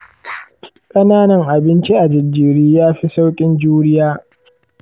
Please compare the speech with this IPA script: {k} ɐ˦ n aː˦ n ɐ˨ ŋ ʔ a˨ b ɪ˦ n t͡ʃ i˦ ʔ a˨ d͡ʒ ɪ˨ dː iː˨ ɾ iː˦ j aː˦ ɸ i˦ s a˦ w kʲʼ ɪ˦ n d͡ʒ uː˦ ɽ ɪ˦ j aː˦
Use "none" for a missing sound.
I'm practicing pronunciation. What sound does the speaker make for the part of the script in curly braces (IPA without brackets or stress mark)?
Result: kʼ